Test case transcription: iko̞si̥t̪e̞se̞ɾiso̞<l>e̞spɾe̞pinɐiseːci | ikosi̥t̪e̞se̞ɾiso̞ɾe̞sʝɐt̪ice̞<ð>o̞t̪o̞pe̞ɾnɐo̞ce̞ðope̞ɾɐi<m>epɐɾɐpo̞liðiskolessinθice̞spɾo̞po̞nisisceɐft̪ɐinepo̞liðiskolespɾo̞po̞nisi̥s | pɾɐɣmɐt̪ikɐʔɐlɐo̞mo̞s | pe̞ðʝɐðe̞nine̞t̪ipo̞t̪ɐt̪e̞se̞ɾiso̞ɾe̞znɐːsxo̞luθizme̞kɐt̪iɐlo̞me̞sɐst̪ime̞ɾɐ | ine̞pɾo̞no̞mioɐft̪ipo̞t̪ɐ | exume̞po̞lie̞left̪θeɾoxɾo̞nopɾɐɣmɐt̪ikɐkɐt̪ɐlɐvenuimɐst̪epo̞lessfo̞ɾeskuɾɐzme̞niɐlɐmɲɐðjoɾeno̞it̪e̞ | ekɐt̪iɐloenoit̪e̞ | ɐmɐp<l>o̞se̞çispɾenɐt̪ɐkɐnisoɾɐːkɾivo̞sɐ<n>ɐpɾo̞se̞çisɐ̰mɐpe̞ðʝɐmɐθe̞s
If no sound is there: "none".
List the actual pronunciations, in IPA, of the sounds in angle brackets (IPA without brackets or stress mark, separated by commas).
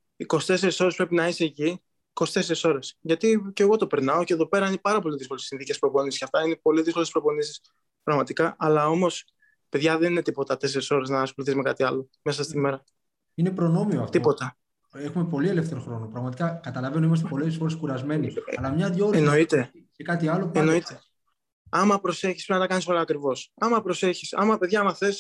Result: ɾ, ɣ, n, ɾ, m